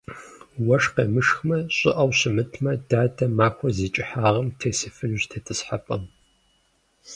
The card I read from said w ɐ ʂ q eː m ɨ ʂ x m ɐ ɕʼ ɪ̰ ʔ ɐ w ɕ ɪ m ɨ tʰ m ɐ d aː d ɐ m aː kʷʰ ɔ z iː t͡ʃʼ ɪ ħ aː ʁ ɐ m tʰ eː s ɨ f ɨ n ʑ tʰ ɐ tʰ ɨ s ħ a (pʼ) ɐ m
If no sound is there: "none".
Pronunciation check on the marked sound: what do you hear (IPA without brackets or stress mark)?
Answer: pʼ